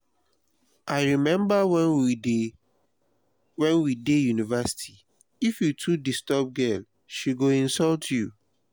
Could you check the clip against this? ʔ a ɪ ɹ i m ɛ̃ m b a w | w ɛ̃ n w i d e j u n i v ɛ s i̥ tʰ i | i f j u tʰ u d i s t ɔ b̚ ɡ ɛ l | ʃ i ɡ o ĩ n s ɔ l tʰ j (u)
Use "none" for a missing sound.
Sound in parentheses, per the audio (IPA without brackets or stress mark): u